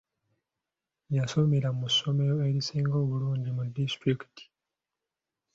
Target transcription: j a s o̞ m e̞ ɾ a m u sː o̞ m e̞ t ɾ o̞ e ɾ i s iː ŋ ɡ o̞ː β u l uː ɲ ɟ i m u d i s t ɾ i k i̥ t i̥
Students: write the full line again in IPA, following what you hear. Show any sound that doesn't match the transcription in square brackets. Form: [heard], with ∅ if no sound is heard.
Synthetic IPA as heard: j a s o̞ m e̞ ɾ a m u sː o̞ m e̞ [∅] ɾ o̞ e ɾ i s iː ŋ ɡ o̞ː β u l uː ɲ ɟ i m u d i s t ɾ i k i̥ t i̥